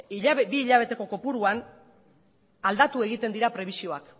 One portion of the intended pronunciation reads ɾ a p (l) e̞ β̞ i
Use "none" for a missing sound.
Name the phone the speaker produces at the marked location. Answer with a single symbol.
ɾ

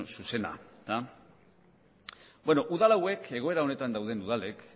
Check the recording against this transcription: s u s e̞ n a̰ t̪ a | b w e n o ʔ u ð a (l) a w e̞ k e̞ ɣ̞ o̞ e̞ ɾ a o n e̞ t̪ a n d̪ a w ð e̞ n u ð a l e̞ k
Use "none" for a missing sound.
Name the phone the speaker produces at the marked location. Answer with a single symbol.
l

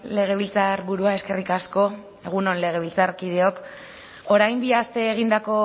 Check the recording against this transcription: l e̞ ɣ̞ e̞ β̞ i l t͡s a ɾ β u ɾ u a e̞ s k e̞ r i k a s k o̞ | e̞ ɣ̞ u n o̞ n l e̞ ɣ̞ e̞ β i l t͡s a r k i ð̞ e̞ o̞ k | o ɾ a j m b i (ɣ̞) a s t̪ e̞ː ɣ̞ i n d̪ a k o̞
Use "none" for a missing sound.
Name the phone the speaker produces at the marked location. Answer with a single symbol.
none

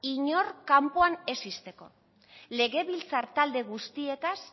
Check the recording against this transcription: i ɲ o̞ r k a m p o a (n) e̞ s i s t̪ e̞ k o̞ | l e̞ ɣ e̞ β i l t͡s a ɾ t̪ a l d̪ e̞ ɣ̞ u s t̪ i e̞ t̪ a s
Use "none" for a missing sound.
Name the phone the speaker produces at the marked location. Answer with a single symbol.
n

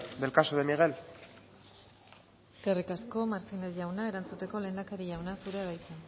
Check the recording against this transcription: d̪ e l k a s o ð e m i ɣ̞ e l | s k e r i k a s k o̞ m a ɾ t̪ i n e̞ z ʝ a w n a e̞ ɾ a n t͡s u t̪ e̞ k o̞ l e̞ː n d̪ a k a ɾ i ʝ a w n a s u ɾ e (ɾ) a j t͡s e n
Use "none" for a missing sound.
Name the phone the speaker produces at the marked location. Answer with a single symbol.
ɾ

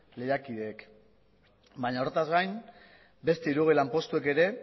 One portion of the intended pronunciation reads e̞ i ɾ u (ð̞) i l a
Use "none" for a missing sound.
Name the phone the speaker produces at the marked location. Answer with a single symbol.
ɣ̞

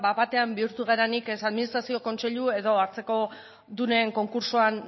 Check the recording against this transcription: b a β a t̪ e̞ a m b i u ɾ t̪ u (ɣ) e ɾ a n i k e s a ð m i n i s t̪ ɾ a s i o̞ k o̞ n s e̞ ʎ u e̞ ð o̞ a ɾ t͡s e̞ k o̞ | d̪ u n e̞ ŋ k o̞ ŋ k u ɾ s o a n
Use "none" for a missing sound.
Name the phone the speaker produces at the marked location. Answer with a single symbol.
ɣ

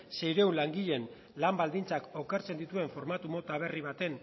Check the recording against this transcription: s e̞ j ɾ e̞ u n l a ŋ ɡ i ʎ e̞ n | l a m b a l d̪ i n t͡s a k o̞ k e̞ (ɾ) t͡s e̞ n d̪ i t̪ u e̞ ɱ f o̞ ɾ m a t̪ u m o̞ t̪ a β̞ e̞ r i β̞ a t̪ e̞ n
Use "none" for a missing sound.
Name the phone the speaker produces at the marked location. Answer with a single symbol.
ɾ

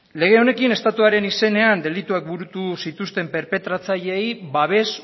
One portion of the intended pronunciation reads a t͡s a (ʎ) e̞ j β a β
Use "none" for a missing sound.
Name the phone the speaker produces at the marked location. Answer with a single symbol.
ʎ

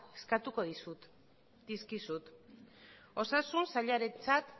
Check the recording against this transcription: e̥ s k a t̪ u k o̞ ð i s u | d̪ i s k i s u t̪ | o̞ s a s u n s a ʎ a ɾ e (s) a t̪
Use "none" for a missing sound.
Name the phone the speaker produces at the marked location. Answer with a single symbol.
t͡s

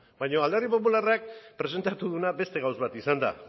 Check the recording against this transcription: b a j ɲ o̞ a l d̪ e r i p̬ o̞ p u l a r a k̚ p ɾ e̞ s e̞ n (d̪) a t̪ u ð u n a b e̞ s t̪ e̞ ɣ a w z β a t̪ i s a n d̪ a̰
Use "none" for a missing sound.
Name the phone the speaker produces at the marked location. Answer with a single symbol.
t̪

